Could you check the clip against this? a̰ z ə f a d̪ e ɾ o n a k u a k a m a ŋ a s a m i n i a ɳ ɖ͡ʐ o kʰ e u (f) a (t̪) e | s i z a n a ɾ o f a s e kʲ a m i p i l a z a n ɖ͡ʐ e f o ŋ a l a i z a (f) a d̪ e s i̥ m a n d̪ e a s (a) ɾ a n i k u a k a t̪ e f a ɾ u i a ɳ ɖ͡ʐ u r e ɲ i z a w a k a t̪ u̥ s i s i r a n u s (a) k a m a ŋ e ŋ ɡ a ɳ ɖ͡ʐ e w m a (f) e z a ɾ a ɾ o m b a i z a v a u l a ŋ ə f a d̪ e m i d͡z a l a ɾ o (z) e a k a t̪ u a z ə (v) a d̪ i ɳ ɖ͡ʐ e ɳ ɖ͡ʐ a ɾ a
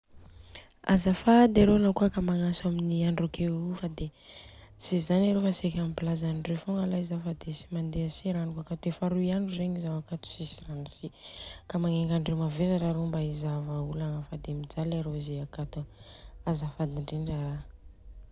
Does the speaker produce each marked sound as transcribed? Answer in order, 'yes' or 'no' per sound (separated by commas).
yes, no, yes, no, no, no, yes, no